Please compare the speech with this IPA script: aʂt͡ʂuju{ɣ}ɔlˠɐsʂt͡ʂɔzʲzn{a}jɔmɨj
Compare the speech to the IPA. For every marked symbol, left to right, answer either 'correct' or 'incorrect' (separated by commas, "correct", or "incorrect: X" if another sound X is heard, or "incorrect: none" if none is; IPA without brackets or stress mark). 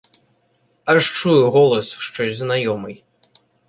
correct, correct